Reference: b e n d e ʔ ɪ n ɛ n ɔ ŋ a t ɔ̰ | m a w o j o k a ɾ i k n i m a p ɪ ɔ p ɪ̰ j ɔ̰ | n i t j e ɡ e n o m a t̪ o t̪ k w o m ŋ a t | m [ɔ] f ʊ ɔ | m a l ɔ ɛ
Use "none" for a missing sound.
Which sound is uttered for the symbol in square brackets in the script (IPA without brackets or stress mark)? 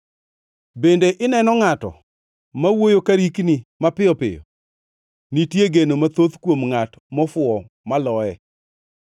ɔ